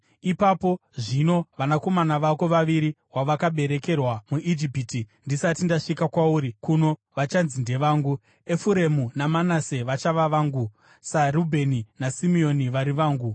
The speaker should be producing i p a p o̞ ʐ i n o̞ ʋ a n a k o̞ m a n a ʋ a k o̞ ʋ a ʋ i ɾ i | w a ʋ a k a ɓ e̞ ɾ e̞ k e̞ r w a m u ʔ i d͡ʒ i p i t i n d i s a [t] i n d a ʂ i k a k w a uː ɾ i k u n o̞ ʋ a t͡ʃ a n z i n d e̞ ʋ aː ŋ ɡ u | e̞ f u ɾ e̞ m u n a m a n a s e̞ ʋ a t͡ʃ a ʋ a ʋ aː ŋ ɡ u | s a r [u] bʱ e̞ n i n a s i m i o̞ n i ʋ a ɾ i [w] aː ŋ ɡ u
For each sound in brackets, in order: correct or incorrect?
correct, correct, incorrect: ʋ

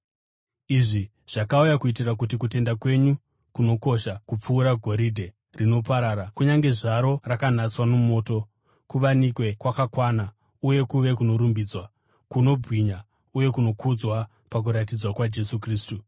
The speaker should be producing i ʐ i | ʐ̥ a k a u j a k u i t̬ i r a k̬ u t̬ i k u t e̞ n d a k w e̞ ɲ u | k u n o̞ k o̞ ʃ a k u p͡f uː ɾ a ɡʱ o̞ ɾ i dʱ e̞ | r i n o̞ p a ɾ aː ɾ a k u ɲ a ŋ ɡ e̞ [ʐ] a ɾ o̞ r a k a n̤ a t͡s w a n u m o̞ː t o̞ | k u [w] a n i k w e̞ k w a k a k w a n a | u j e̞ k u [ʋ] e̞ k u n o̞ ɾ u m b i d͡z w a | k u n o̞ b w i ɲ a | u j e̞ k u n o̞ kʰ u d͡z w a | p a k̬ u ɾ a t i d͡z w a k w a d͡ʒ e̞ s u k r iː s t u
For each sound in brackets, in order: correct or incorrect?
correct, incorrect: ʋ, correct

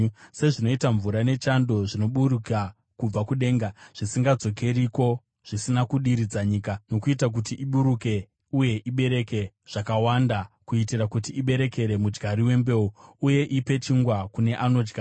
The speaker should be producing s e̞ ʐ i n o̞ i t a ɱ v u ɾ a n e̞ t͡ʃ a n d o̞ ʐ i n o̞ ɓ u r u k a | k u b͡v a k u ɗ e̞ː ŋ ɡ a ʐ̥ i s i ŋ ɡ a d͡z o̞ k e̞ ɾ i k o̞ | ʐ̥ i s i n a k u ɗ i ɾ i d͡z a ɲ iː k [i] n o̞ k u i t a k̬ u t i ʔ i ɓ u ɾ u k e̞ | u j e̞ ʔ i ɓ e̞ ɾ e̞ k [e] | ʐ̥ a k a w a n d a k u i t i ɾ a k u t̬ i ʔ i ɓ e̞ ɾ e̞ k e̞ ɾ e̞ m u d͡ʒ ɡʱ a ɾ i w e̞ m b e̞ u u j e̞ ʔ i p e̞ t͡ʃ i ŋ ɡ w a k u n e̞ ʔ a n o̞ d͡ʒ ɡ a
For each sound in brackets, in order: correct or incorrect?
incorrect: a, correct

